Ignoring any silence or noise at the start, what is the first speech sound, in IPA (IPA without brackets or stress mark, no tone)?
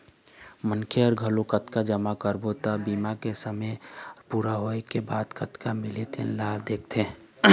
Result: m